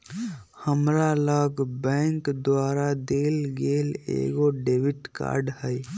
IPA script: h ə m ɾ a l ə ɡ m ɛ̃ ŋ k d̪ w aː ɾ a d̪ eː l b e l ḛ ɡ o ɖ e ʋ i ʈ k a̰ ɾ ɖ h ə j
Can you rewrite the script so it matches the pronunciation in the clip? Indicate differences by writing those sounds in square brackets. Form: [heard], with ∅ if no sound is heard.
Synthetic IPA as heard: h ə m ɾ a l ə ɡ [b] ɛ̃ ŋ k d̪ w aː ɾ a d̪ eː l [ɡ] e l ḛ ɡ o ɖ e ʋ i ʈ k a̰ ɾ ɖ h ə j